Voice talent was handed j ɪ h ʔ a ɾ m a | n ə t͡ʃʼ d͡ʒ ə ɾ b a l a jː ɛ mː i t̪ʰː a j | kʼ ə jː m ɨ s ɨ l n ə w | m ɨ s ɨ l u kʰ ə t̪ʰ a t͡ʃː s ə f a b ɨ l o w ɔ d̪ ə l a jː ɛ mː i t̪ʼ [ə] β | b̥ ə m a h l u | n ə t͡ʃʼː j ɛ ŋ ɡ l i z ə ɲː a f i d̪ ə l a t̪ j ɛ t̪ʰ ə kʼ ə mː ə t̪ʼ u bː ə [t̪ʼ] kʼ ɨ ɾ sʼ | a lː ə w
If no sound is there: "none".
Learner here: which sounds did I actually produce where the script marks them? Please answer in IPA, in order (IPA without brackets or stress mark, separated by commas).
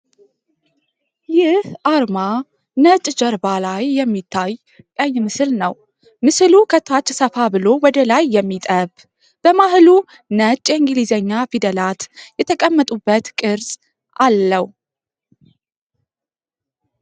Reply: ə, t̪